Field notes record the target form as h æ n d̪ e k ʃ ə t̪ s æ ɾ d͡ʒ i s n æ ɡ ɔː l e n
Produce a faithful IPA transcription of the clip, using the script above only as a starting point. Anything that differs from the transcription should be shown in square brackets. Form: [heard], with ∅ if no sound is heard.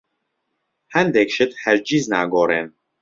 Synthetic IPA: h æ n d̪ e k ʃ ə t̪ [h] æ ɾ d͡ʒ i [z] n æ ɡ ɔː [ɾ] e n